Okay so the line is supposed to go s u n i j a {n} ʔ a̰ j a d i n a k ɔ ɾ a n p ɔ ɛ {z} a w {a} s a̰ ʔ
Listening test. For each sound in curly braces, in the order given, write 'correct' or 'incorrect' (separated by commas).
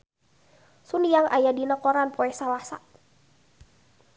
incorrect, incorrect, correct